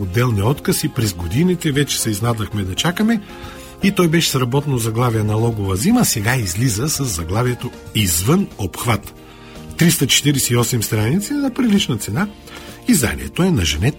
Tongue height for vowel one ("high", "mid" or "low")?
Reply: mid